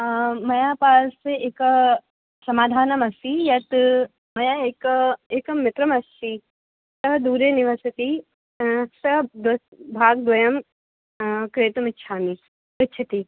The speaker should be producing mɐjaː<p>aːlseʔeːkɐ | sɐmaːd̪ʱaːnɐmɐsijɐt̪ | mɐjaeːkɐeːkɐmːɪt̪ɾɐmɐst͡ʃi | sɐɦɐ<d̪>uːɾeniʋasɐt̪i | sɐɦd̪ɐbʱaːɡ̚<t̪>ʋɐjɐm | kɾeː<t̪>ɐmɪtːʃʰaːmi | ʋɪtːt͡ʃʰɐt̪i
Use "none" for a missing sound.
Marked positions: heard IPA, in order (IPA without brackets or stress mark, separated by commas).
p, d̪, d̪, t̪